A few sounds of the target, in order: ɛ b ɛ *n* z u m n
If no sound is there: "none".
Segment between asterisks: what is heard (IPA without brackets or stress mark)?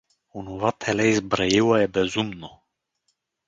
none